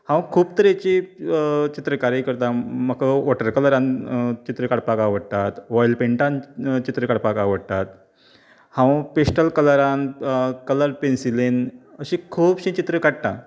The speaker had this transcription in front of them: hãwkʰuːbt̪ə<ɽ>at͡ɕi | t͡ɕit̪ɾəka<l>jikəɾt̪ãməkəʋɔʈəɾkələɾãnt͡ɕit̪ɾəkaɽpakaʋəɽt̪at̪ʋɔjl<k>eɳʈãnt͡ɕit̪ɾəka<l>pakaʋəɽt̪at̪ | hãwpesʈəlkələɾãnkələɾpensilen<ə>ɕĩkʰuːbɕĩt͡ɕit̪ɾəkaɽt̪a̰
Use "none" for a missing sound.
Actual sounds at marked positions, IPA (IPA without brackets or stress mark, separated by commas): ɾ, ɾ, p, ɽ, ə